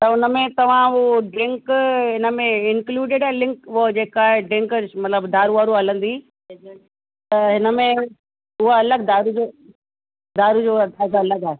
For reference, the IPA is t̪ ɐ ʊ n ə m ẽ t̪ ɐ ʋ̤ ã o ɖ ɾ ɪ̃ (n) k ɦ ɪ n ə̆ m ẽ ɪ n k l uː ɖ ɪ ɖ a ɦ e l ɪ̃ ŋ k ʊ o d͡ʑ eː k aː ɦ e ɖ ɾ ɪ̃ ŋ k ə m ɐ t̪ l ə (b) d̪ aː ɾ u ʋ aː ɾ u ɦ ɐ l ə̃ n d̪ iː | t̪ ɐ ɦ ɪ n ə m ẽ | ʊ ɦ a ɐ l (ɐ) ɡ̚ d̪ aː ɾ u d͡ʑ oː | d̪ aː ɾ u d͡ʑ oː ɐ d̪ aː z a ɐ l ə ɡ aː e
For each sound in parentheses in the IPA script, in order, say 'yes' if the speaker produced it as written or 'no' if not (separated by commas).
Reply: no, yes, no